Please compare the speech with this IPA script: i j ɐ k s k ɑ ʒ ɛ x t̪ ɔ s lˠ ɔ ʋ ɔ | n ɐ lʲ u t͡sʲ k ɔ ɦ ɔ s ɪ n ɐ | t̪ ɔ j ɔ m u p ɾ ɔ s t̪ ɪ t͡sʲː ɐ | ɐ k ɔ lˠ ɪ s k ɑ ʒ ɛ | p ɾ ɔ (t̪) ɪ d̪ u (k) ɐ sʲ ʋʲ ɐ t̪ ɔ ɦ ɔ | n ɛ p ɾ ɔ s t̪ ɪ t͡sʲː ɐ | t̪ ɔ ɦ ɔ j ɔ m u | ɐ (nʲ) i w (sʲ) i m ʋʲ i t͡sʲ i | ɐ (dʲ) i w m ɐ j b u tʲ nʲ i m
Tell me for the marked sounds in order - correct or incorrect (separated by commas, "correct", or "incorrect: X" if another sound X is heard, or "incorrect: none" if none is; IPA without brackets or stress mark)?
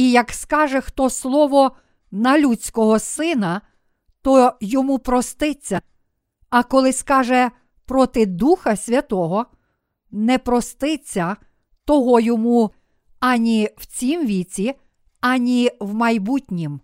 correct, incorrect: x, correct, incorrect: t͡sʲ, incorrect: nʲ